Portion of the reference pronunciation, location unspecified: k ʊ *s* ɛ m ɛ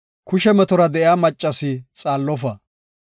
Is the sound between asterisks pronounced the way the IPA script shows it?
no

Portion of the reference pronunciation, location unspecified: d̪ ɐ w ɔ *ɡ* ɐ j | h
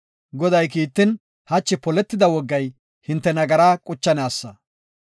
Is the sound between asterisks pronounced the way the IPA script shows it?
no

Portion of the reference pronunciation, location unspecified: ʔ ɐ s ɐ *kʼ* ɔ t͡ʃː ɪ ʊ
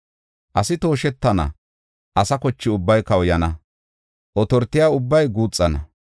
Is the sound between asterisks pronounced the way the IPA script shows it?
no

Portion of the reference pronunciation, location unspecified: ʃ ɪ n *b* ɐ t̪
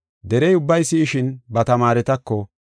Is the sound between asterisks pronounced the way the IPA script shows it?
yes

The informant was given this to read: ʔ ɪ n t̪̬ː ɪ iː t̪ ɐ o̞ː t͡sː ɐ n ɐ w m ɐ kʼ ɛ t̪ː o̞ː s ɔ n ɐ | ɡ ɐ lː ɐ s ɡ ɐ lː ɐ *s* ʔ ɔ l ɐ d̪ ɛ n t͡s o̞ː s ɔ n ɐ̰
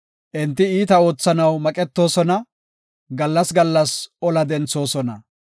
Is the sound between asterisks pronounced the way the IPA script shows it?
yes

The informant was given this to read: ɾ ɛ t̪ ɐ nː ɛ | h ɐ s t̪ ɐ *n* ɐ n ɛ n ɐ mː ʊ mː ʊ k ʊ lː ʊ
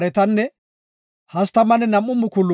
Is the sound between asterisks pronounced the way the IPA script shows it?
no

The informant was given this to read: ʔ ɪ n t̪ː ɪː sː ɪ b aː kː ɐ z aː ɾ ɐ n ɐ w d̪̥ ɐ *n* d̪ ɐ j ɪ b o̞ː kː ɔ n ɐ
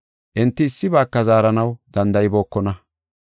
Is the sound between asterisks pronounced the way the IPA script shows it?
yes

